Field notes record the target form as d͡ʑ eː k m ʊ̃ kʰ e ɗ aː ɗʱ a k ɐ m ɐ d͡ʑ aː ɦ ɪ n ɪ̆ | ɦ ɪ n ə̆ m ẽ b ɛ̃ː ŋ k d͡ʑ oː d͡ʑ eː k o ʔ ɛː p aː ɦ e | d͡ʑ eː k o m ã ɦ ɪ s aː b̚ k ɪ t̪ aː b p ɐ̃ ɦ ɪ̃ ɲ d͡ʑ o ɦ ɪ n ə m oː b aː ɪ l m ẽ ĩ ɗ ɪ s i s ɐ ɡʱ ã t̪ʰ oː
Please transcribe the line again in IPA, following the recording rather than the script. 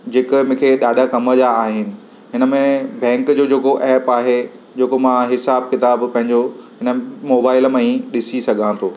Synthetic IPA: d͡ʑ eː k m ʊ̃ kʰ e ɗ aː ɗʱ a k ɐ m ə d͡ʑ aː ɦ ɪ n ɪ̆ | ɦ ɪ n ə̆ m ẽ b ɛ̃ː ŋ k d͡ʑ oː d͡ʑ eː k o ʔ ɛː p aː ɦ e | d͡ʑ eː k o m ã ɦ ɪ s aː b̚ k ɪ t̪ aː b p ɐ̃ ɦ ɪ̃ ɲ d͡ʑ o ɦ ɪ n ə m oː b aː ɪ l m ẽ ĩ ɗ ɪ s i s ɐ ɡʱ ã t̪ʰ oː